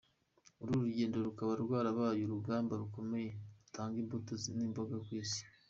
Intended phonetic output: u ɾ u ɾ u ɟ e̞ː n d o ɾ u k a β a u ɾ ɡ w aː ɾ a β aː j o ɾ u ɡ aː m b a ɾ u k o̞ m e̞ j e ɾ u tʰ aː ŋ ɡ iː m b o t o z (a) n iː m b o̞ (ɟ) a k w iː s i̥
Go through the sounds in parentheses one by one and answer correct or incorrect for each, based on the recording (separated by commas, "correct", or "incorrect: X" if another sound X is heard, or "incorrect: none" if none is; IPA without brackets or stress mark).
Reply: incorrect: i, incorrect: ɡ